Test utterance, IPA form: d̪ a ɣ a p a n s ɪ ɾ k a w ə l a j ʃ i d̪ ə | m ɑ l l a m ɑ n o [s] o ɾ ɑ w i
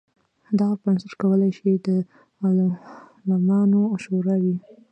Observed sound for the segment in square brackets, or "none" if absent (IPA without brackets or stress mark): ʃ